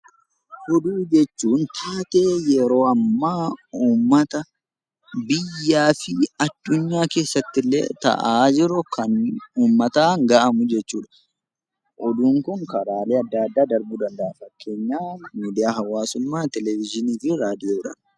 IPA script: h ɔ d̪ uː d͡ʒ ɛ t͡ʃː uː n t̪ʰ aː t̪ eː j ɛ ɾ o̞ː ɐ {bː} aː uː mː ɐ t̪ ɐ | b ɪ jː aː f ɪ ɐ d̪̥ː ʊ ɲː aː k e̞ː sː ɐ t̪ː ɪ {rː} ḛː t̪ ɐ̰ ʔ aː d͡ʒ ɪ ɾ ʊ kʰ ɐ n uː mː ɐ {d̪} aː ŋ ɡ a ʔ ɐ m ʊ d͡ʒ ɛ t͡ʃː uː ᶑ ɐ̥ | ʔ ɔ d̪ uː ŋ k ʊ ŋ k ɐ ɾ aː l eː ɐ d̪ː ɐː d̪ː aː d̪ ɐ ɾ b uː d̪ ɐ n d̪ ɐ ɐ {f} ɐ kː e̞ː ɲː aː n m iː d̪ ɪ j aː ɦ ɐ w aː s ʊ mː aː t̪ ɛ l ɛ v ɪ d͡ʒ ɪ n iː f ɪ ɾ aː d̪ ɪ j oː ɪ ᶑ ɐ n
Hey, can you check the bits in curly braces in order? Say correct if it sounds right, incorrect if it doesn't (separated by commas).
incorrect, incorrect, incorrect, correct